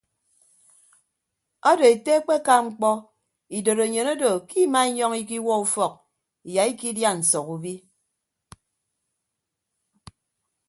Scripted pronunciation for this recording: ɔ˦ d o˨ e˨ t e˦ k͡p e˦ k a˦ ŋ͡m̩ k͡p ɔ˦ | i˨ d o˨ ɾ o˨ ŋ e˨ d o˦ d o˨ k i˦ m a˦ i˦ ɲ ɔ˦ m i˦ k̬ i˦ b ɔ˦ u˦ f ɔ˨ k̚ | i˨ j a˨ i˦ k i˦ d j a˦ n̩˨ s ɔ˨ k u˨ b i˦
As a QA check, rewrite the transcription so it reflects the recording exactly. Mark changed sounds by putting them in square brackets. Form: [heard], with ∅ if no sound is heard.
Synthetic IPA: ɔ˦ d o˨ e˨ t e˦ k͡p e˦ k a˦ ŋ͡m̩ k͡p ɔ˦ | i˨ d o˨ ɾ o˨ [ɲ] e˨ [n] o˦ d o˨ k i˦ m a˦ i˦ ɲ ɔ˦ [ŋ] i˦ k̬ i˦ [w] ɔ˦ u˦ f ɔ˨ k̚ | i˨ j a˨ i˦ k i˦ d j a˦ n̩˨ s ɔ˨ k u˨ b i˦